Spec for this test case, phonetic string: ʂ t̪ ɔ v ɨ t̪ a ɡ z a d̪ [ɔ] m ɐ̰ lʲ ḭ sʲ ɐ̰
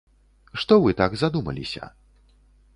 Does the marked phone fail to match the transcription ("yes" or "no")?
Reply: yes